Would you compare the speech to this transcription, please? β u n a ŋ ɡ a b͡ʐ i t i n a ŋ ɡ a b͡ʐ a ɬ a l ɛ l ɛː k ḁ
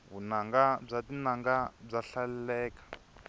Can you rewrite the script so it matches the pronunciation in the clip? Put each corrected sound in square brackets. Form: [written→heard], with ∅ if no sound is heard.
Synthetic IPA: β u n a ŋ ɡ a b͡ʐ [i→a] t i n a ŋ ɡ a b͡ʐ a ɬ a l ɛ l ɛː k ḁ